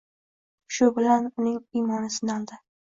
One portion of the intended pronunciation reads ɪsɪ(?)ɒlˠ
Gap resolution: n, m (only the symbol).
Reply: n